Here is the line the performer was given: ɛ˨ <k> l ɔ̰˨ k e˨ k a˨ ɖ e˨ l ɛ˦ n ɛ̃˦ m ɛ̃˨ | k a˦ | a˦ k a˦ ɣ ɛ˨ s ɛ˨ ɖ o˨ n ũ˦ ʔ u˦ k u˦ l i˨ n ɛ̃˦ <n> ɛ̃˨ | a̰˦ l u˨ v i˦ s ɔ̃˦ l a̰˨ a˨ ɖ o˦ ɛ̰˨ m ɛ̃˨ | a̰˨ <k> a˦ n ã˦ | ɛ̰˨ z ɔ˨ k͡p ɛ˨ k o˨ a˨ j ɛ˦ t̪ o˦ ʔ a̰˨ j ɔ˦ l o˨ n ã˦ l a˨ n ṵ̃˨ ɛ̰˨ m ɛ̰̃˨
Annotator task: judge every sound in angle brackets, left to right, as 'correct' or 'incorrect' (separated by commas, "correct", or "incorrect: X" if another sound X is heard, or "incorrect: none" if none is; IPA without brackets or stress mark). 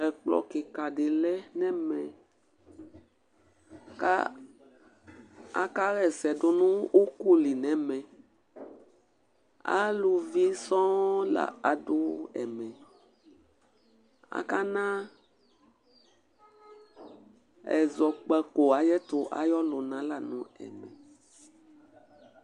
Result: incorrect: k͡p, incorrect: m, correct